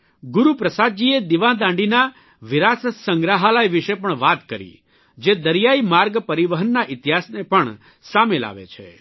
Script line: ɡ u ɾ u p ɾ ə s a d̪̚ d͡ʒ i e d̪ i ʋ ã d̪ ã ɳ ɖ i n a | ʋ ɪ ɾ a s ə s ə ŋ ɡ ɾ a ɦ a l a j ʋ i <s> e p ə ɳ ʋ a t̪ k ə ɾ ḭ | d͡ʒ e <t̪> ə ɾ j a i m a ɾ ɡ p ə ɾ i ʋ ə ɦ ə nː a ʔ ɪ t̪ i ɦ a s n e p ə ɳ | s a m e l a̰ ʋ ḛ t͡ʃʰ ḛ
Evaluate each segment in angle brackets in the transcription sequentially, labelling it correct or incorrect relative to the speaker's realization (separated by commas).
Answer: incorrect, incorrect